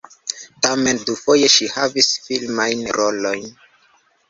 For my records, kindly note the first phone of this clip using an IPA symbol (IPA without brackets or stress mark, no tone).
t